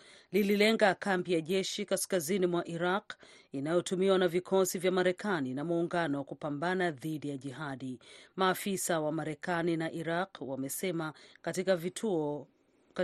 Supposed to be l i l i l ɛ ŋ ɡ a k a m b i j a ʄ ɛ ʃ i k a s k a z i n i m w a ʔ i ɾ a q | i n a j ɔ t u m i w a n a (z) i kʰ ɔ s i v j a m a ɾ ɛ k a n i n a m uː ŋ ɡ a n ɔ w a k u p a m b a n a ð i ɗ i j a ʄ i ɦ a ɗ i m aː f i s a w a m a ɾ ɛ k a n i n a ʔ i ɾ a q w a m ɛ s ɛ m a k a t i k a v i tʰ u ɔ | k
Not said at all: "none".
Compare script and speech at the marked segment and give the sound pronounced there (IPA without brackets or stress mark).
v